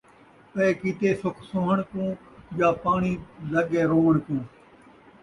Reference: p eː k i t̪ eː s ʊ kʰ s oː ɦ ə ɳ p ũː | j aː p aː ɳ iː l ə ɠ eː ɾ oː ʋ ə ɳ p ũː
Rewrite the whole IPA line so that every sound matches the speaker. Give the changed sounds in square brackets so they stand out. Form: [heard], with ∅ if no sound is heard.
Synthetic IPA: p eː k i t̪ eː s ʊ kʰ s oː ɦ ə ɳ [k] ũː | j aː p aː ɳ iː l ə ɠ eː ɾ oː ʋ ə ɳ [k] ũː